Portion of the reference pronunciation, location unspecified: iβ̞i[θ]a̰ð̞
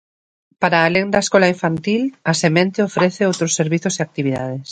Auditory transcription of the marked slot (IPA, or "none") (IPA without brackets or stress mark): ð